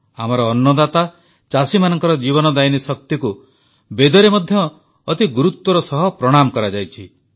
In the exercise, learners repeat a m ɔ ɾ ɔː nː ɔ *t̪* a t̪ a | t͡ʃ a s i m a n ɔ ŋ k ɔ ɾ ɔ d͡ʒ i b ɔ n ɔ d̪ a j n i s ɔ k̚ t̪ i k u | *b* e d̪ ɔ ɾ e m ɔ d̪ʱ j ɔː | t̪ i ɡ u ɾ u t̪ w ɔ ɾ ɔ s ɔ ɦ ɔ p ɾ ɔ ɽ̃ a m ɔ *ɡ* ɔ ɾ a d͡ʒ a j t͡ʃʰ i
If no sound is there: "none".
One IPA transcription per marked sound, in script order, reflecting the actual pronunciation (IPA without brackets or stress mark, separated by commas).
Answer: d̪, b, k